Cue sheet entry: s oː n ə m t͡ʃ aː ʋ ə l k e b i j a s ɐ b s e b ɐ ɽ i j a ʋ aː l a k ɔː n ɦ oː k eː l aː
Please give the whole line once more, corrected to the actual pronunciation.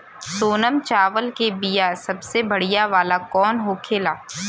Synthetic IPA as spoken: s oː n ə m t͡ʃ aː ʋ ə l k e b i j a s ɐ b s e b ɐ ɽ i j a ʋ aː l a k ɔː n ɦ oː kʰ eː l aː